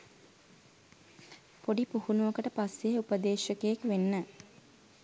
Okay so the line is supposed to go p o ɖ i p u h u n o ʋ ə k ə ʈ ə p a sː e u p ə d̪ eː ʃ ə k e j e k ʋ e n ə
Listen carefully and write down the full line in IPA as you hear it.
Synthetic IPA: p o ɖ i p u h u n u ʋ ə k ə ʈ ə p a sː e u p ə d̪ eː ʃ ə k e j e k ʋ e nː ə